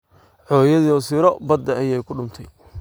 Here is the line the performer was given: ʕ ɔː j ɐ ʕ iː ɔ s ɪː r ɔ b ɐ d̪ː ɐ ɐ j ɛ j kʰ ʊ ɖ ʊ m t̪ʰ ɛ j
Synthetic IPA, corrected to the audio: ʕ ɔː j ɐ ð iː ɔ s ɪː ɾ ɔ b ɐ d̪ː ɐ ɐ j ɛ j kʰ ʊ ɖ ʊ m t̪ʰ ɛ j